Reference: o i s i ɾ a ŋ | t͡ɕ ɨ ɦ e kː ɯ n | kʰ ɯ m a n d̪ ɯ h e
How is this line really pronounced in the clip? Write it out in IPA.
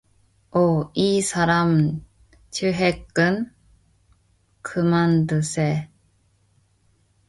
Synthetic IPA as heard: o i s a ɾ a m | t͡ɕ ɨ ɦ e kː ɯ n | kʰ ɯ m a n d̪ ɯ s e